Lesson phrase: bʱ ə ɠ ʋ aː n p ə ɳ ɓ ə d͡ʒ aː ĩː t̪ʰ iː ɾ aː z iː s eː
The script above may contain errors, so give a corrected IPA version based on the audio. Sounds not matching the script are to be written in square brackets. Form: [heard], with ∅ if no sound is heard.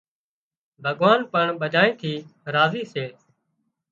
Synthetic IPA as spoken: bʱ ə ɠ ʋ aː n p ə ɳ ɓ ə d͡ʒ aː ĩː t̪ʰ iː ɾ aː z iː s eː